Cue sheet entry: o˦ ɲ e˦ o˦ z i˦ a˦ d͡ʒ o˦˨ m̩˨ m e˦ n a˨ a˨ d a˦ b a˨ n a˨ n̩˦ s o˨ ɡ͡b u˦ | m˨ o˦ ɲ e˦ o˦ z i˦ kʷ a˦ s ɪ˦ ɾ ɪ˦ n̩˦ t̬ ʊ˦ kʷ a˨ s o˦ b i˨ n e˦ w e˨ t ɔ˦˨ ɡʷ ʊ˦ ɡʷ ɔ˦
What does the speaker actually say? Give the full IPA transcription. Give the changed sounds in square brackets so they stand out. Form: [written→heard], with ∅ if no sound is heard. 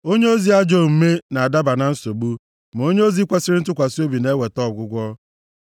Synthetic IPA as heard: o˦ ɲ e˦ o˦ z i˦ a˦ d͡ʒ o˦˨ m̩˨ m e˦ n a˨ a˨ d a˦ b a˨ n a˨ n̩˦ s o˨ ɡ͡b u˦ | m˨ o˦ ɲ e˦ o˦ z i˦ kʷ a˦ s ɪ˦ ɾ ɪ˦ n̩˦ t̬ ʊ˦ kʷ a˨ s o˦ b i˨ n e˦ w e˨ t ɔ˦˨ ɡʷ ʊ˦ ɡʷ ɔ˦